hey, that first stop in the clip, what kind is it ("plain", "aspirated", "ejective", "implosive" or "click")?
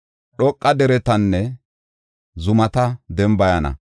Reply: implosive